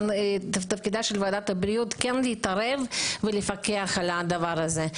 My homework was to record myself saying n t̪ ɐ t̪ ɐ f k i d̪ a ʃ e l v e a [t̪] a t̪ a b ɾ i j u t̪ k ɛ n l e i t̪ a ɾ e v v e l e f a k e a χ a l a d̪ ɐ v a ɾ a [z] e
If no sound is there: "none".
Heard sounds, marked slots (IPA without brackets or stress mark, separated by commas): d̪, z